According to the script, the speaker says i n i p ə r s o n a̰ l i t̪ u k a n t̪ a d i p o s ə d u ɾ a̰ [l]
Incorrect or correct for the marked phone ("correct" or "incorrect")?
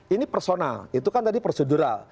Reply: correct